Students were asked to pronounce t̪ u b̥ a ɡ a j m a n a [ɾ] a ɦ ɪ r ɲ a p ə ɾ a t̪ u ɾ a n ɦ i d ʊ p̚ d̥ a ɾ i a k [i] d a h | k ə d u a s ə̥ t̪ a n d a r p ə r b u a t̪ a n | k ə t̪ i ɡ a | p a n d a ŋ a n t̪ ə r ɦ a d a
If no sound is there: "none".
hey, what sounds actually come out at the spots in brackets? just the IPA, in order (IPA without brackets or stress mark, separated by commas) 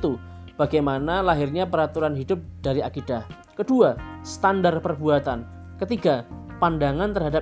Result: l, i